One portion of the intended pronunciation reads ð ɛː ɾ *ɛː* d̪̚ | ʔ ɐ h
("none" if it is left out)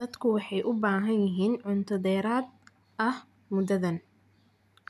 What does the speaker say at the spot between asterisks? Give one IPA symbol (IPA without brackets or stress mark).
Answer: aː